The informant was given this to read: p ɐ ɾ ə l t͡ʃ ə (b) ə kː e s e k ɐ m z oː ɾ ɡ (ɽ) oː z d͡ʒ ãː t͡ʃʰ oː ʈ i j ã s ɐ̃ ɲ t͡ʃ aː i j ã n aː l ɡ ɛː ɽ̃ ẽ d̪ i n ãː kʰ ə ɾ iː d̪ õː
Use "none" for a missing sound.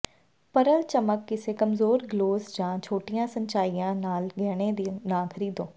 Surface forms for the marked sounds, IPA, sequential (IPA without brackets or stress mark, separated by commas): m, l